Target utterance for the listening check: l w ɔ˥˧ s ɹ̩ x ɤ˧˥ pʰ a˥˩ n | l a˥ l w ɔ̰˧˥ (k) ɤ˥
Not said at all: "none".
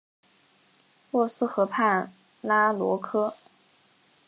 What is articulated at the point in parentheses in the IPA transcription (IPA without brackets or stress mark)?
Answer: kʰ